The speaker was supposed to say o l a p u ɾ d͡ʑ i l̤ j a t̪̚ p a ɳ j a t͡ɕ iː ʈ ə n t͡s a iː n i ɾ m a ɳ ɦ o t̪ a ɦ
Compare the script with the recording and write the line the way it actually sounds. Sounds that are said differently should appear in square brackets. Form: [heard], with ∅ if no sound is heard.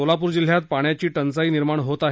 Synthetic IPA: o l a p u ɾ d͡ʑ i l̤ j a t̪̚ p a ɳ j a t͡ɕ iː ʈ ə n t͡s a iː n i ɾ m a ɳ ɦ o t̪ a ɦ